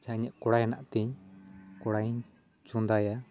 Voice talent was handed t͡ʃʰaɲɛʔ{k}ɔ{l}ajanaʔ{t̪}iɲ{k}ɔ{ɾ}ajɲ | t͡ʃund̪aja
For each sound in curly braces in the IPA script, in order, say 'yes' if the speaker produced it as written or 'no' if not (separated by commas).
yes, no, yes, yes, no